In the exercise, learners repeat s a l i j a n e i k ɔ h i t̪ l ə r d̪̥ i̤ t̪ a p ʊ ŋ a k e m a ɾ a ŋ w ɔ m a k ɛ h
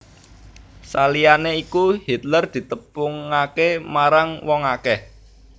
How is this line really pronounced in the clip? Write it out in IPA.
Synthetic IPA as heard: s a l i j a n e i k u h i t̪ l ə r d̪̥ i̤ t̪ ə p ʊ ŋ a k e m a ɾ a ŋ w ɔ ŋ a k ɛ h